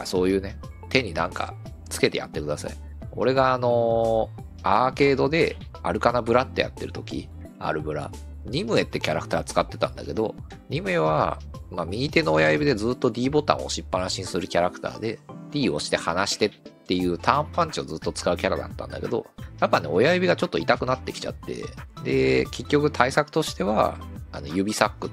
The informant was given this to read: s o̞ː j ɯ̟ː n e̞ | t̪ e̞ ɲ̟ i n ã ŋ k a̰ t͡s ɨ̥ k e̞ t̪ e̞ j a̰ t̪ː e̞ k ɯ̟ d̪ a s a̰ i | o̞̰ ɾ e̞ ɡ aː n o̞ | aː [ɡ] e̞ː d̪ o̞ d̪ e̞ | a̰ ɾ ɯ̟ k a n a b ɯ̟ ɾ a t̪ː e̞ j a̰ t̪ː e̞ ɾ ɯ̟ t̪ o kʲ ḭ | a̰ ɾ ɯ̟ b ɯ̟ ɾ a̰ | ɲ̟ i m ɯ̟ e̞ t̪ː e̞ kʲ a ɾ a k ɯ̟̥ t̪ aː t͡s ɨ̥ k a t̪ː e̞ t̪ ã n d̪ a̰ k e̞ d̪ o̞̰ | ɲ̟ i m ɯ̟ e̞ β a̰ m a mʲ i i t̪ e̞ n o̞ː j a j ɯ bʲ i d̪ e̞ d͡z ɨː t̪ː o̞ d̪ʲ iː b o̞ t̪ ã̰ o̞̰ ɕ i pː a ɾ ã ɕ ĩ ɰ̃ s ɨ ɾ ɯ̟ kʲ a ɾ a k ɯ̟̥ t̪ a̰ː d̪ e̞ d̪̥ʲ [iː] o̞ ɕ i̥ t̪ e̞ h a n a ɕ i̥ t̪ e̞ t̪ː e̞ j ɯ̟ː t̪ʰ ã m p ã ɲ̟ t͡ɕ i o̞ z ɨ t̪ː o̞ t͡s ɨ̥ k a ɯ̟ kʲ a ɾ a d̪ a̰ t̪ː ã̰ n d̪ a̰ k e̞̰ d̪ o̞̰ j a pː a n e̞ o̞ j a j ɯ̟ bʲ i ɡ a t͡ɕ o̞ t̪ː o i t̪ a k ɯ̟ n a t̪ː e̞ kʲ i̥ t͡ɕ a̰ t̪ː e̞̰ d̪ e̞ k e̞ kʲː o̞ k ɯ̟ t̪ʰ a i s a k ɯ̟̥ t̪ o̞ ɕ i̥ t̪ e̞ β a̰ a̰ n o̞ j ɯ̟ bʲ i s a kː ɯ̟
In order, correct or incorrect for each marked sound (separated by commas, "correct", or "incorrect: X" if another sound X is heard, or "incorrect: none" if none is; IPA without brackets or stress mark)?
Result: incorrect: k, correct